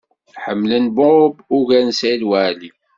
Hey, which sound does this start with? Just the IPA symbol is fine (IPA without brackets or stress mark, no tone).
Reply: ħ